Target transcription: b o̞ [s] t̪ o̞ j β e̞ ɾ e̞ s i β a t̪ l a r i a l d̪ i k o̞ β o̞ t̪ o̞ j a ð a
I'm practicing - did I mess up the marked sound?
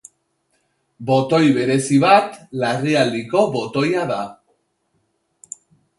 yes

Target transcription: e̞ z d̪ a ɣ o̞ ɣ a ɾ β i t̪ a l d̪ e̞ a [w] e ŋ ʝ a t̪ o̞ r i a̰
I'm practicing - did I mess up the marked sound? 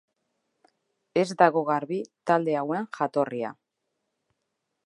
no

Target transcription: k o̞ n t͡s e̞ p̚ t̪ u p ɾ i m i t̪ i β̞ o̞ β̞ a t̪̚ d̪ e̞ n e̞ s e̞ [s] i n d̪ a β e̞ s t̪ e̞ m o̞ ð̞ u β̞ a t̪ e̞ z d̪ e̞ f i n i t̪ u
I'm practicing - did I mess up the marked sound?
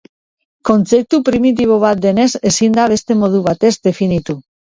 no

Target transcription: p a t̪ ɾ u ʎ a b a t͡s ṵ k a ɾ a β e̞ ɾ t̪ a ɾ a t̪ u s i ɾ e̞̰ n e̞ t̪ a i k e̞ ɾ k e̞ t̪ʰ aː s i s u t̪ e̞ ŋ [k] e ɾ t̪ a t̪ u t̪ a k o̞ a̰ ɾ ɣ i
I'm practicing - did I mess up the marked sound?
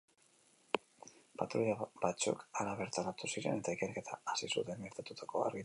yes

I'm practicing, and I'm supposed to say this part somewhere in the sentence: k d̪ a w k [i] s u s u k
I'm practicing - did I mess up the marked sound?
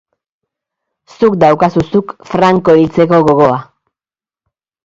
yes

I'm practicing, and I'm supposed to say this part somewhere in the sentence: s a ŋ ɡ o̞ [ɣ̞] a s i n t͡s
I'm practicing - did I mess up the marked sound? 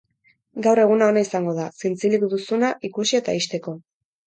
yes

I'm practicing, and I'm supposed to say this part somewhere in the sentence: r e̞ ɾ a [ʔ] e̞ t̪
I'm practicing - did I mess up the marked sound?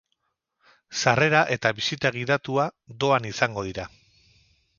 no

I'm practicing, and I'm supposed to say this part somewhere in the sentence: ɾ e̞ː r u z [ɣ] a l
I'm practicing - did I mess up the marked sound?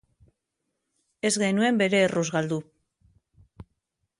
no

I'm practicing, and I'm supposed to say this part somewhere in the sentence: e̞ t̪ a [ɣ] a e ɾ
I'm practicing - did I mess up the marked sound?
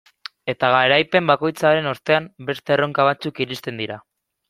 no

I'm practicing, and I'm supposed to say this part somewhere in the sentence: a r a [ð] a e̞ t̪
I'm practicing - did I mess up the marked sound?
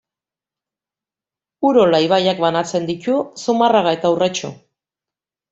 yes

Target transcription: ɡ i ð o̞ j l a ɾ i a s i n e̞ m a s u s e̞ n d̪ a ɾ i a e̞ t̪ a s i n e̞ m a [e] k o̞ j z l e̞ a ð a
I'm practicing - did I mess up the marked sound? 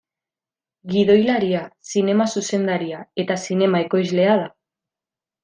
no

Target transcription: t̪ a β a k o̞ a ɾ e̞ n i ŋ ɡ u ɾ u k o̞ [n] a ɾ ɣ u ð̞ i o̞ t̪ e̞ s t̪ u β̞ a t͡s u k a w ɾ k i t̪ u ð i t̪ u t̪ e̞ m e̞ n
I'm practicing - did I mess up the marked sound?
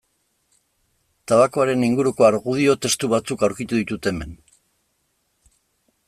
yes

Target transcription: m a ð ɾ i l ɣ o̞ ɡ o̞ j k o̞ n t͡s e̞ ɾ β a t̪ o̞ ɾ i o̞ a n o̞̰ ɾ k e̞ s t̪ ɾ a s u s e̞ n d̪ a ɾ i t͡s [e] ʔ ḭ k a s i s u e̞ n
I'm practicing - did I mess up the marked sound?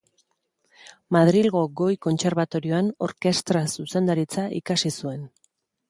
yes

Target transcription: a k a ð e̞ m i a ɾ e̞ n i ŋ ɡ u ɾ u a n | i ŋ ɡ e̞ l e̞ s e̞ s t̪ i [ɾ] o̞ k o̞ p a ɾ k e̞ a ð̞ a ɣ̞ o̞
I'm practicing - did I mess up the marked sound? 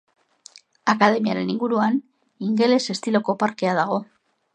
yes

